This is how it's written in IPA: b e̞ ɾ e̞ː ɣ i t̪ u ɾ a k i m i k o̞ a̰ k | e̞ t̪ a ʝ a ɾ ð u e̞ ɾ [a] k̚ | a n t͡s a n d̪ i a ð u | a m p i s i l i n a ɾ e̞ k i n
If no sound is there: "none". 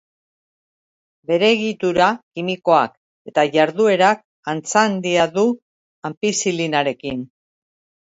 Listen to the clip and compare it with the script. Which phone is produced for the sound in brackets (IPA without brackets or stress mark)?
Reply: a